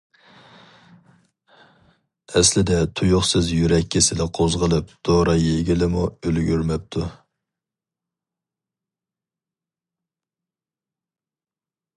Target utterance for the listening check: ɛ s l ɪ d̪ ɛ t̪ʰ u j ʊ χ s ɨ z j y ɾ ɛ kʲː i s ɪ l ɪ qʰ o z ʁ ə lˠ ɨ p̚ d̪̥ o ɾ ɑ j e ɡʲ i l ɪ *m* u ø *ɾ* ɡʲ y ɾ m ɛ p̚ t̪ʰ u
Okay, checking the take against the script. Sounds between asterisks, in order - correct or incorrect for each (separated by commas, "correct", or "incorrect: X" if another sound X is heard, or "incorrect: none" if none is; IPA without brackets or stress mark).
correct, incorrect: l